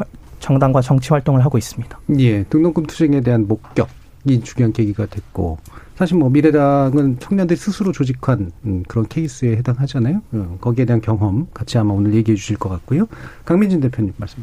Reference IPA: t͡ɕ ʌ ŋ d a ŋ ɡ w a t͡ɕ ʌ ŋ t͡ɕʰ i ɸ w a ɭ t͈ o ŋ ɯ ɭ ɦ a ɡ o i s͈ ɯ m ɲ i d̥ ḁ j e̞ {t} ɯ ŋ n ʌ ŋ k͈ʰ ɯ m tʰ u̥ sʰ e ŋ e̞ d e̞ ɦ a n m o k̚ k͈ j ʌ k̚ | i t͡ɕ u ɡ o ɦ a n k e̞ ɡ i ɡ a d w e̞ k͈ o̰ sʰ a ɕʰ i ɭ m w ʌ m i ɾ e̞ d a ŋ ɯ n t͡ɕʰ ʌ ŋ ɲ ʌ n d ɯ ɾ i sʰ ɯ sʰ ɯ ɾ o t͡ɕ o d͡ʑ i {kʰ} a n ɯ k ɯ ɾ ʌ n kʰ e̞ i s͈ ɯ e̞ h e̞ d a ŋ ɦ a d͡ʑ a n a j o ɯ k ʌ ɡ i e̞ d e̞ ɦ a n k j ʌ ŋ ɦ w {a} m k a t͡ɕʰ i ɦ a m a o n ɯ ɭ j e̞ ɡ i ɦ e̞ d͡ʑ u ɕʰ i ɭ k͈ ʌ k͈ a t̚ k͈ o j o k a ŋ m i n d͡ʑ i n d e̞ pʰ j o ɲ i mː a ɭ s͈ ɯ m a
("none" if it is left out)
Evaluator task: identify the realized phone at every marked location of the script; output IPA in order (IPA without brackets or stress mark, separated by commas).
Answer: t, kʰ, ʌ